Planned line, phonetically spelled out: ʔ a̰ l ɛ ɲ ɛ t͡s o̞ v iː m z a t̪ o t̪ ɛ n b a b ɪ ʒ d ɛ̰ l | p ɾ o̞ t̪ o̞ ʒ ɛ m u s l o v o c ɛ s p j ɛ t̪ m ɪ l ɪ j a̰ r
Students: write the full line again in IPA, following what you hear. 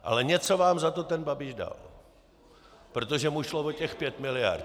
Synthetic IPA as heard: ʔ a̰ l ɛ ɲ ɛ t͡s o̞ v aː m z a t̪ o t̪ ɛ n b a b ɪ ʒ d a̰ l | p ɾ o̞ t̪ o̞ ʒ ɛ m u ʃ l o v o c ɛ x p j ɛ t̪ m ɪ l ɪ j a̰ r